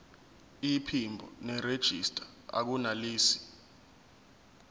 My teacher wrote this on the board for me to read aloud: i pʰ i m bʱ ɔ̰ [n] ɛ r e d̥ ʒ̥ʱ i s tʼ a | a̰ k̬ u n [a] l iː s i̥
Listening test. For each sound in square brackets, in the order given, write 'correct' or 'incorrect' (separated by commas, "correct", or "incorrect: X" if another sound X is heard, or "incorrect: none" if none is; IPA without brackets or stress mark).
correct, correct